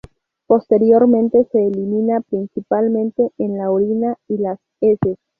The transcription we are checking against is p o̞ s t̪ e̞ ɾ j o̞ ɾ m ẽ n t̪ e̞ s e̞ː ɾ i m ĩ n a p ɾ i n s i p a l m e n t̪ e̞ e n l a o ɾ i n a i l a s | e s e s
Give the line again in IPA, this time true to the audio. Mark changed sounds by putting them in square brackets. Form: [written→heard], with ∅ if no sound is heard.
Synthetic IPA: p o̞ s t̪ e̞ ɾ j o̞ ɾ m ẽ n t̪ e̞ s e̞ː [ɾ→l] i m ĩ n a p ɾ i n s i p a l m [e→ẽ] n t̪ e̞ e n l a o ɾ i n a i l a s | e s e s